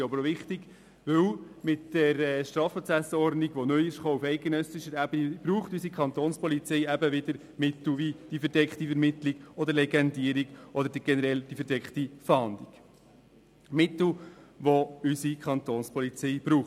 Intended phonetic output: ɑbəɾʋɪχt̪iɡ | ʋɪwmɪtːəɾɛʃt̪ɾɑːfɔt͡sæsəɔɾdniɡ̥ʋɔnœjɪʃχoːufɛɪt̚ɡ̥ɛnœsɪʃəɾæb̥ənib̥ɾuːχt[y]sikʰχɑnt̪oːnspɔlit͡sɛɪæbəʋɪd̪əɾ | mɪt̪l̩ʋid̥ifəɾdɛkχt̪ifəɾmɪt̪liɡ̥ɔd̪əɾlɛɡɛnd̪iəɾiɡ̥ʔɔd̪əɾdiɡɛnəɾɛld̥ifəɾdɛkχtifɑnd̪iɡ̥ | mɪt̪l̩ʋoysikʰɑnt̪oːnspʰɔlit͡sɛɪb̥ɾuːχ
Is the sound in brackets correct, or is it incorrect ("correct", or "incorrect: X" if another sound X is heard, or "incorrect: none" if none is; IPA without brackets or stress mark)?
correct